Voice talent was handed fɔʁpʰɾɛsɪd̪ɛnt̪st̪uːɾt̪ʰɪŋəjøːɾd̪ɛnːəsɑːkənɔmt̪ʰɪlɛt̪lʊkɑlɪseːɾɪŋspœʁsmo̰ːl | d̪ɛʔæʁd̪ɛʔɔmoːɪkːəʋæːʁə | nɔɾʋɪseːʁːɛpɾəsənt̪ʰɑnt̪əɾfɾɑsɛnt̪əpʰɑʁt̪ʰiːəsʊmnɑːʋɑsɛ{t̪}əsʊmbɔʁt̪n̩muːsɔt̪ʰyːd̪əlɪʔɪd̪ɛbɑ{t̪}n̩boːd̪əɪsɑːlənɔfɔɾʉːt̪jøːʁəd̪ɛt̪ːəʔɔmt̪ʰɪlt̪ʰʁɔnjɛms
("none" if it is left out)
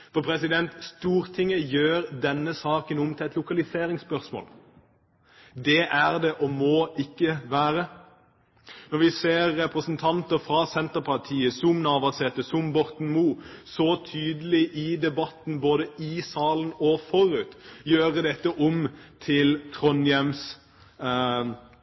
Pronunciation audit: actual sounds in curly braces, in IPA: t̪, t̪

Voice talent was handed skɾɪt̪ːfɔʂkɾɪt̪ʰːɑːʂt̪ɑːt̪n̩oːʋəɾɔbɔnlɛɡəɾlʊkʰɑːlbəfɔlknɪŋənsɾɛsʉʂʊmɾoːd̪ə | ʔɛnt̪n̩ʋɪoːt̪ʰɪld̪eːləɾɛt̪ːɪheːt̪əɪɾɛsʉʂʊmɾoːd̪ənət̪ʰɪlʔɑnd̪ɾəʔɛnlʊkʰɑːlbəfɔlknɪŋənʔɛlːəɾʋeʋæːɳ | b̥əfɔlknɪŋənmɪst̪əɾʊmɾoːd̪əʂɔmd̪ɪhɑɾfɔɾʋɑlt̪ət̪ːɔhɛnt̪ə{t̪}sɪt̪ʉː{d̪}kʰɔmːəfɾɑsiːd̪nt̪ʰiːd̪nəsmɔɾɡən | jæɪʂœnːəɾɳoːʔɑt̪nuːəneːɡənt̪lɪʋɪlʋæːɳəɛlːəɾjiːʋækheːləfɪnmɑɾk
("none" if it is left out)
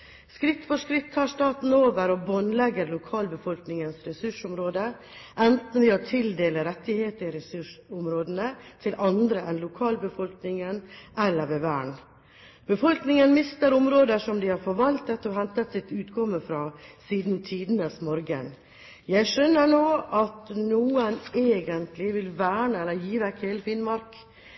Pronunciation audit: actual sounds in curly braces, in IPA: t̪, t̪

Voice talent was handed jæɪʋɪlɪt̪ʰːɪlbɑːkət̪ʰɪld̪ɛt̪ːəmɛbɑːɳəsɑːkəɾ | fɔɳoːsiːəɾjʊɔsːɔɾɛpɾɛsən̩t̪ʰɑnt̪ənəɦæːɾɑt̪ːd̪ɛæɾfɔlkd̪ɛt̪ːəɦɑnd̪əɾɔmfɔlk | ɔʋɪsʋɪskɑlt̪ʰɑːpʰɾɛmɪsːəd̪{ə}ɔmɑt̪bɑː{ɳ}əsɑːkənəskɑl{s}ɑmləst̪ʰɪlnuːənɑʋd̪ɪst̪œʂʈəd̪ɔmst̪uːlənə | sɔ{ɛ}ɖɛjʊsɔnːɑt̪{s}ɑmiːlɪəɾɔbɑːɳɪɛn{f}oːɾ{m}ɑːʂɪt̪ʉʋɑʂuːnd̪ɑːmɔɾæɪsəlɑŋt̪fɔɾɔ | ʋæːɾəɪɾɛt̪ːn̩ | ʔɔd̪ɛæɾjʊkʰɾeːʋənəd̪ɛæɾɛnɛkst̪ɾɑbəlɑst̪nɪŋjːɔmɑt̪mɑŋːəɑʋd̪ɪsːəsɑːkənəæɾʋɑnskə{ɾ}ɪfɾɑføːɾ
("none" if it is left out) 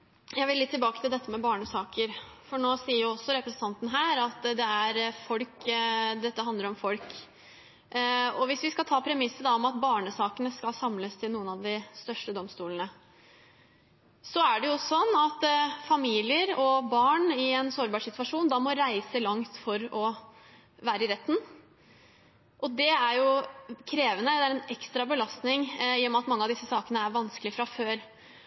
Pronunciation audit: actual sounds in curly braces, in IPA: ɑ, ɳ, s, æ, f, s, b, l

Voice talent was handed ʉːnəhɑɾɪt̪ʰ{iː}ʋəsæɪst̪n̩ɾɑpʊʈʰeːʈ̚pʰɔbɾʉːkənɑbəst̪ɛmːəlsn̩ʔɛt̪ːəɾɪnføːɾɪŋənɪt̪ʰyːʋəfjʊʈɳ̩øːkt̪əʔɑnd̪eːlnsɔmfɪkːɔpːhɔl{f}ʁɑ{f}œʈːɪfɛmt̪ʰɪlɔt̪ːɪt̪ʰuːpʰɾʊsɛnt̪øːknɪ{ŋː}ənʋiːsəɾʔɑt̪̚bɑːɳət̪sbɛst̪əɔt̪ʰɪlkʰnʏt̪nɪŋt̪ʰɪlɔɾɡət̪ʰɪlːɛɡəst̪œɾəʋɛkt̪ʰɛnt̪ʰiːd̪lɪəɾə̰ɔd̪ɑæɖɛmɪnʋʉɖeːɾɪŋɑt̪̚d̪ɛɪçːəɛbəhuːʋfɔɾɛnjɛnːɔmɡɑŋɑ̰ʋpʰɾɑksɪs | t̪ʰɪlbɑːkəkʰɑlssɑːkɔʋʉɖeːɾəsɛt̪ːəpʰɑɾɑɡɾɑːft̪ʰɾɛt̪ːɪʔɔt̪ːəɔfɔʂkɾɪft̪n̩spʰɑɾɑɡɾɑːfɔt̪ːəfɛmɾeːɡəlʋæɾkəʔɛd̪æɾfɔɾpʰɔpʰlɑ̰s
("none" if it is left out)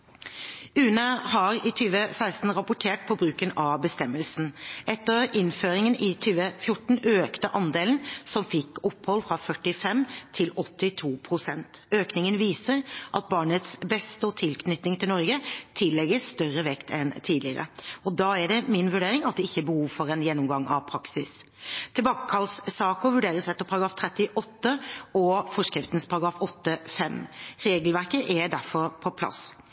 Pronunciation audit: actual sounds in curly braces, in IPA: yː, f, f, ŋ

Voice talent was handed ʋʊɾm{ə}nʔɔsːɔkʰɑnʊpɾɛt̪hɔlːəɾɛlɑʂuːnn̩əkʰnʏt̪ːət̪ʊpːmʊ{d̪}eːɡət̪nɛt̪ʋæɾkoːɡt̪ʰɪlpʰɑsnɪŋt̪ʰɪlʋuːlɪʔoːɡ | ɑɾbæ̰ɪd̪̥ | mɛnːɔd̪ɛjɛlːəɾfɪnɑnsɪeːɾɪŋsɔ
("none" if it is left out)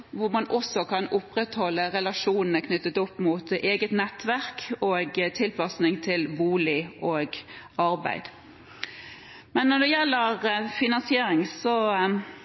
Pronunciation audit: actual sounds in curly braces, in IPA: ɑ, t̪

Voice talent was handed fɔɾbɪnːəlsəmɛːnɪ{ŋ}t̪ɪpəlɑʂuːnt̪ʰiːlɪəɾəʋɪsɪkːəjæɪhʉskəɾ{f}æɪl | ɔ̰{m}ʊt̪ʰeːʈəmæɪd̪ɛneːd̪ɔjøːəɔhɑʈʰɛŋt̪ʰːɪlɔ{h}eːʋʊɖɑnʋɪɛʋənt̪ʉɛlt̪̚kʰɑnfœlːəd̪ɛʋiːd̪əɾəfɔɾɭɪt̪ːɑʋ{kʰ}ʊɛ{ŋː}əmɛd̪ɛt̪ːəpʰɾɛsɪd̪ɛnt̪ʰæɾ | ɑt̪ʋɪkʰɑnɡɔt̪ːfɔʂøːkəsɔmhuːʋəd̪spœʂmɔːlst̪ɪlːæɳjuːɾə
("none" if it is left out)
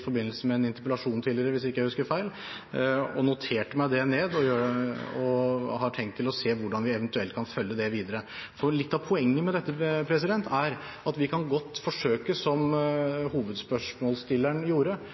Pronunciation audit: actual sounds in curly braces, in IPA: n, f, n, s, pʰ, ŋː

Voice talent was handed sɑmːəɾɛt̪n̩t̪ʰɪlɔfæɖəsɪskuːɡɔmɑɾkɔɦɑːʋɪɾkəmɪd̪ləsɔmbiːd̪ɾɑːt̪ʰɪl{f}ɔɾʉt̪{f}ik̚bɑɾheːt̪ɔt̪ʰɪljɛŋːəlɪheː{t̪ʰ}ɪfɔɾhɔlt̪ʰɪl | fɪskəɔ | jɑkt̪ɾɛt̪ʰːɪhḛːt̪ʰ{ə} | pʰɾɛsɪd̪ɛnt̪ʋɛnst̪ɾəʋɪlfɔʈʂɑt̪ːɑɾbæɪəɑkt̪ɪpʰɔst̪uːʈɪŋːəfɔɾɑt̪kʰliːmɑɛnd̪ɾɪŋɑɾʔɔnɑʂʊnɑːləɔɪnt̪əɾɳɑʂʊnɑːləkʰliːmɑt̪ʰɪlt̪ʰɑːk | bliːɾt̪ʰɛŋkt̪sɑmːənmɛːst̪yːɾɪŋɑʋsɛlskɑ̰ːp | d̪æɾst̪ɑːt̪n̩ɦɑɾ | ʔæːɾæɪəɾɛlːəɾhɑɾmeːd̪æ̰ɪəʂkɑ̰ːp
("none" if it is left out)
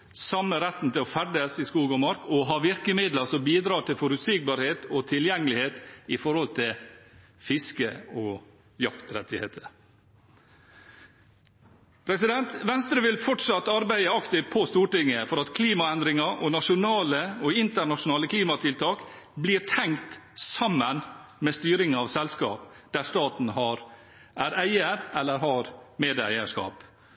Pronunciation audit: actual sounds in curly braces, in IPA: f, s, t̪, ə

